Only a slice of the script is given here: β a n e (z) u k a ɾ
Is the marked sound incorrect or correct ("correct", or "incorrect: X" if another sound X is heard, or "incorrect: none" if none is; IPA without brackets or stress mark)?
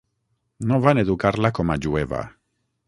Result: incorrect: ð